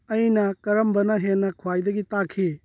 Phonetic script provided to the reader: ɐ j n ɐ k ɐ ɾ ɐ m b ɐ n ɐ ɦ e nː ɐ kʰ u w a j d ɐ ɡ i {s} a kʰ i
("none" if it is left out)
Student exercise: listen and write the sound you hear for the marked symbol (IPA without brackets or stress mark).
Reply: t